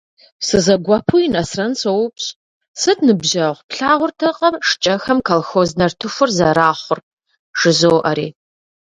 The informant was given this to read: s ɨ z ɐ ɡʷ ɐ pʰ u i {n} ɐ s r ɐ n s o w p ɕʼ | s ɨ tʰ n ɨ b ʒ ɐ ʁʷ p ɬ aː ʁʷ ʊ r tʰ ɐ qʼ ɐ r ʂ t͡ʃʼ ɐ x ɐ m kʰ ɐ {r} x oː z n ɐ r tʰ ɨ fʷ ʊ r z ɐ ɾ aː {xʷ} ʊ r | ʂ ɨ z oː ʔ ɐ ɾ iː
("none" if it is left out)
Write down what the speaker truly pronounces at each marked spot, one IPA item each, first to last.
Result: n, l, χʷ

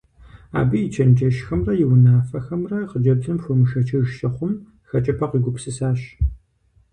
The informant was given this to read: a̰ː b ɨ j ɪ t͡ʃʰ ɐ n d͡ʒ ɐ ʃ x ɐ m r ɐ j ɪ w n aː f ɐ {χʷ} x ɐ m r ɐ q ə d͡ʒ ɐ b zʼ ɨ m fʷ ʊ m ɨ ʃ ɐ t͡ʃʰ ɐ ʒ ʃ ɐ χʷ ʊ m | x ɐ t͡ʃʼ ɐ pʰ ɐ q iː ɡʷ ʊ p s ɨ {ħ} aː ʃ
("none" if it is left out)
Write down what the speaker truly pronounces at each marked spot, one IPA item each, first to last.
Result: none, s

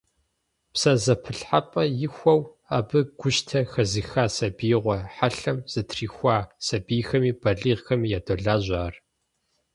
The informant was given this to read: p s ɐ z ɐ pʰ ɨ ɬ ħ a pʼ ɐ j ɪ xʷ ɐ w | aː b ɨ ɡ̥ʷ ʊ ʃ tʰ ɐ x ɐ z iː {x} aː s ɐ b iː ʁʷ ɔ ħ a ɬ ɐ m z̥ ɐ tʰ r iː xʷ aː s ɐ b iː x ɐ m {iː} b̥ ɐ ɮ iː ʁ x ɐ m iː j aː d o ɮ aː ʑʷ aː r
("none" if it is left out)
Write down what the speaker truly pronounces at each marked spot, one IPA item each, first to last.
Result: x, iː

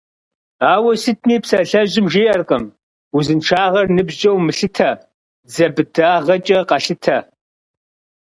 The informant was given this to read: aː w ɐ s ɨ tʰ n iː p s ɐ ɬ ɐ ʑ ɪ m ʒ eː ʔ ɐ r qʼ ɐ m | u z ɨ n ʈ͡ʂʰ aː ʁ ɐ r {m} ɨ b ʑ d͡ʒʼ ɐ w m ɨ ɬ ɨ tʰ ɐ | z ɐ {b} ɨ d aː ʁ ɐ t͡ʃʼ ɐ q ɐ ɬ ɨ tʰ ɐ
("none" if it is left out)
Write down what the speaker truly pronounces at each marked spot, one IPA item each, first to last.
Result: n, b

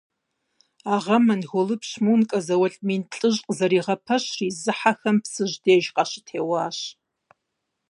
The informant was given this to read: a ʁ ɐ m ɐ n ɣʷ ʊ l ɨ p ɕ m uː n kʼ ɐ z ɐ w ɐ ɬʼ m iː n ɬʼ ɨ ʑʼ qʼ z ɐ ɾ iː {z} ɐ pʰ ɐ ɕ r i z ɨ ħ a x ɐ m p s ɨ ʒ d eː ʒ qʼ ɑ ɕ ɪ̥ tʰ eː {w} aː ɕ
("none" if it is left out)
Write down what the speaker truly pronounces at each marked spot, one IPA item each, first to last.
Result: ʁ, w

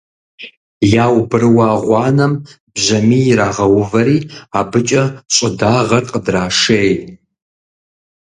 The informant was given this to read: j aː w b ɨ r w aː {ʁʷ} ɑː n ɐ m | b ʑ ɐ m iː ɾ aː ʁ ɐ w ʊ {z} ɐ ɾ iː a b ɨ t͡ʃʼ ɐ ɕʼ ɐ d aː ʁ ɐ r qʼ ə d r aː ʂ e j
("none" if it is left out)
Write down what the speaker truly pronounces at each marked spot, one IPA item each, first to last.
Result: ʁʷ, v

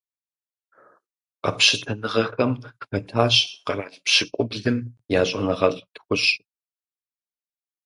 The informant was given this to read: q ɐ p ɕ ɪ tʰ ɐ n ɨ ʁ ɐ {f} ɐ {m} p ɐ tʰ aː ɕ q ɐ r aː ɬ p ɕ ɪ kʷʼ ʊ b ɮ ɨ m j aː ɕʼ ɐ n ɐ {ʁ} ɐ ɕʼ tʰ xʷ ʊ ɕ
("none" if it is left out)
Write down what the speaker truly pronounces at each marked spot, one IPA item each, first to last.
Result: x, m, ʁ

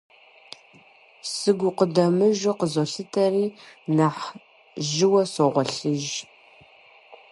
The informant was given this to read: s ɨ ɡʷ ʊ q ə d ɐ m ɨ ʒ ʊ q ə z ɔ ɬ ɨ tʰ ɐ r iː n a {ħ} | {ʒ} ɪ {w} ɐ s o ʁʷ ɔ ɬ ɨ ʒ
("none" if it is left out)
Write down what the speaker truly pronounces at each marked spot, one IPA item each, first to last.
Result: ħ, ʒ, w

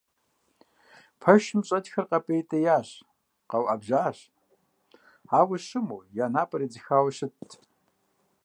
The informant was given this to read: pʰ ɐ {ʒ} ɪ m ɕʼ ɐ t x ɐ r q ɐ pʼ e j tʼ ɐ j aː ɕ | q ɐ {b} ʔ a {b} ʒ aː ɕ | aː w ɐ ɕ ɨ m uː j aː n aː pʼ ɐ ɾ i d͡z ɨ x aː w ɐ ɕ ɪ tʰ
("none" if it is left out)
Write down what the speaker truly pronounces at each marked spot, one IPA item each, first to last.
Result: ʃ, w, b

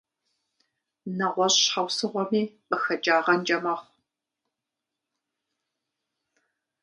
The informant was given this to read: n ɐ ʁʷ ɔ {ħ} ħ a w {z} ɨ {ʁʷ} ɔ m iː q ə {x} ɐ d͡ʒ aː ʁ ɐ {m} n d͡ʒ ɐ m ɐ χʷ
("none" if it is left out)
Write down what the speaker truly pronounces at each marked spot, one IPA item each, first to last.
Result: ɕ, s, ʁʷ, x, none

